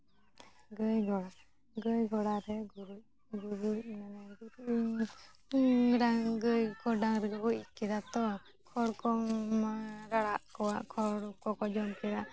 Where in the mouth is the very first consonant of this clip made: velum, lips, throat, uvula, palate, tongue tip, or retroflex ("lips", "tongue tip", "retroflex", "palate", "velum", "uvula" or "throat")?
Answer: velum